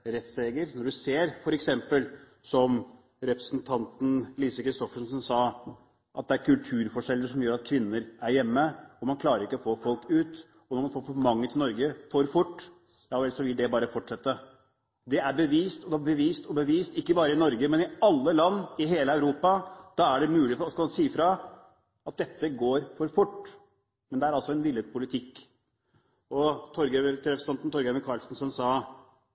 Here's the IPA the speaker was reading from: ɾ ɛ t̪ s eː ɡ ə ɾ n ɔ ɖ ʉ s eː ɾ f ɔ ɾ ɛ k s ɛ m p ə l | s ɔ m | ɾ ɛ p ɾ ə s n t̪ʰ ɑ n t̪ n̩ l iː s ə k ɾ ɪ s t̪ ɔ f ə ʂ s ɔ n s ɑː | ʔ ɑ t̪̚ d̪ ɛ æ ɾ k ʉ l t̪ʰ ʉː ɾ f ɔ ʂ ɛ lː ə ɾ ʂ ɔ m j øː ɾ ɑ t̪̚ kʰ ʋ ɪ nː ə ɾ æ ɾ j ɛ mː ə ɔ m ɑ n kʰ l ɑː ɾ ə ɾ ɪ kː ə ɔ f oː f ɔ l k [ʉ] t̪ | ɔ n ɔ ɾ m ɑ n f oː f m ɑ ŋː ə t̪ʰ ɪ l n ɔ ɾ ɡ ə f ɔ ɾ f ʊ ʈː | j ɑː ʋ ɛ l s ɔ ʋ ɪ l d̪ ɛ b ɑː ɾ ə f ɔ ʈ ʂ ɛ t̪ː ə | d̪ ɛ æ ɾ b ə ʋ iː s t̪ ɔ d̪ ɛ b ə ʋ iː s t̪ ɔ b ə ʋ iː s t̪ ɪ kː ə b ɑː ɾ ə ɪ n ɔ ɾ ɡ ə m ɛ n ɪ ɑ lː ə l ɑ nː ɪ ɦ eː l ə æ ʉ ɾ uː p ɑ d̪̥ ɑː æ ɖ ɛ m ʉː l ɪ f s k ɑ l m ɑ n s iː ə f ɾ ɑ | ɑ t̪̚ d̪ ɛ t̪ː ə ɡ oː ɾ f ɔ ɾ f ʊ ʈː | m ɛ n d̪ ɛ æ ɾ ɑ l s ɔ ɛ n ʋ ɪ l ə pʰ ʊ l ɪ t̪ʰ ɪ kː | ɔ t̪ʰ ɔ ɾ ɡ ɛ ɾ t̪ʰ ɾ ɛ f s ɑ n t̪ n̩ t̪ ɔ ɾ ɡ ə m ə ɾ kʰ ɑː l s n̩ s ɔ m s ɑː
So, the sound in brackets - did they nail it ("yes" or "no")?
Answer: no